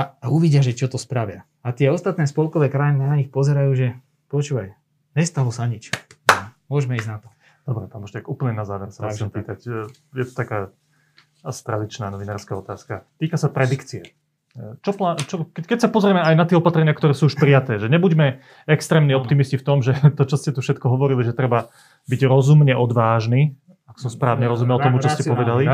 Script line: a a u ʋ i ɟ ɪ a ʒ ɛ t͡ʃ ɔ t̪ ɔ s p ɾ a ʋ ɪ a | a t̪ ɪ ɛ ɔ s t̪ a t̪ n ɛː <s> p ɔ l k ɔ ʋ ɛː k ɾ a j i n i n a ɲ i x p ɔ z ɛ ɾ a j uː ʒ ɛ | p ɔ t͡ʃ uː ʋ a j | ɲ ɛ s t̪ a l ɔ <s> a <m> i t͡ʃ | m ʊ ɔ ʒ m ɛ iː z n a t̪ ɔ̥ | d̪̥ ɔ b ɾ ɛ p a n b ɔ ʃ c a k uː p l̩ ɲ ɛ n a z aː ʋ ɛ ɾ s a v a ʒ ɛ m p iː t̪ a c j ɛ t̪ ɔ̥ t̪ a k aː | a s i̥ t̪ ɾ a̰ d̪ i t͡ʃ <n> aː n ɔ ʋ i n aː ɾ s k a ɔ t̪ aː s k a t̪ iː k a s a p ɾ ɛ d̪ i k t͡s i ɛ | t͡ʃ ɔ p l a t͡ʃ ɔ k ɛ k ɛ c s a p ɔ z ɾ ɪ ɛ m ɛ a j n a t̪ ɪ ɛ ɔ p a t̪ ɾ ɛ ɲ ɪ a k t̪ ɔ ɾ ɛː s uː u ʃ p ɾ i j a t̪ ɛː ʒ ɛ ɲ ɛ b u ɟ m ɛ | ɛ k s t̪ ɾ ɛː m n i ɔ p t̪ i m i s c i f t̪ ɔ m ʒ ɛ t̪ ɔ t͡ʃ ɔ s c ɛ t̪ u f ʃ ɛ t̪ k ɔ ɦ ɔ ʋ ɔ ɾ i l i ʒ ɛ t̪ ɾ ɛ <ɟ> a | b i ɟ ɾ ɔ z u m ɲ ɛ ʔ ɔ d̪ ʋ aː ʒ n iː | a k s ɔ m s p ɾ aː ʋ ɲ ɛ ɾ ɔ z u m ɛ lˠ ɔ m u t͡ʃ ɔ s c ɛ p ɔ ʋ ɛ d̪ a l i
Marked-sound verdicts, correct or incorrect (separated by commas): correct, correct, incorrect, correct, incorrect